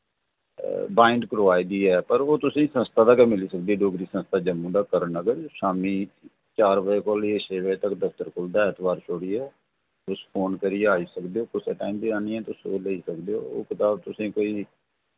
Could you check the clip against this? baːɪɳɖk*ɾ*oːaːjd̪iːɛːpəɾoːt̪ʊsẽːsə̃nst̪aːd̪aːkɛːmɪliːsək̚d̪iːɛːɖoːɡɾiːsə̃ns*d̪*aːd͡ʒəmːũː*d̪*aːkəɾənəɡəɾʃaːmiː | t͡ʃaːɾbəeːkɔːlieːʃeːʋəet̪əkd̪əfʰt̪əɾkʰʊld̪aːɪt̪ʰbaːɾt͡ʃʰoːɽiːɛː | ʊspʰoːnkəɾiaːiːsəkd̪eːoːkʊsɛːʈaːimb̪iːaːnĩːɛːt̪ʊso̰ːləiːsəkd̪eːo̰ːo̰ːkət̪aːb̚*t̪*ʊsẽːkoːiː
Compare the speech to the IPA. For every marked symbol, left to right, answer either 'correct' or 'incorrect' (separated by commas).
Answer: correct, incorrect, correct, correct